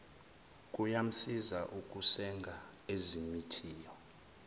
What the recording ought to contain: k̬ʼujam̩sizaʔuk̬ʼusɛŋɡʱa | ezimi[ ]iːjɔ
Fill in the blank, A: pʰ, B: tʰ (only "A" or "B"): B